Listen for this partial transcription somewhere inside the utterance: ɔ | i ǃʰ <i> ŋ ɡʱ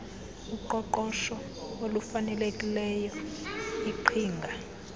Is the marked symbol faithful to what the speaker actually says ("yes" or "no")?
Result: no